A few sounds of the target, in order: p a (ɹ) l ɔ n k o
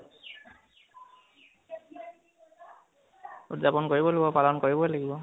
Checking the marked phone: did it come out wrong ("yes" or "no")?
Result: yes